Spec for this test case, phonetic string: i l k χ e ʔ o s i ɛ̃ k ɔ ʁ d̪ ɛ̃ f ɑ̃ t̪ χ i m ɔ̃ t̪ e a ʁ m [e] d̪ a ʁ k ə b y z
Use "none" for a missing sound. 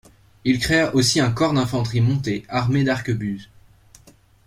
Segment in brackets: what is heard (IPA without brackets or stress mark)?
e